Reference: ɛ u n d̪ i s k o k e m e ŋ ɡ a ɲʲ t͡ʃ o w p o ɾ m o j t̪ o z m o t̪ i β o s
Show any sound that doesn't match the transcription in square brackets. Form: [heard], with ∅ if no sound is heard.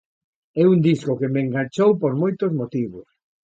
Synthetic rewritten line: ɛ u n d̪ i s k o k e m e ŋ ɡ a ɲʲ t͡ʃ o w p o ɾ m o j t̪ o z m o t̪ i β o s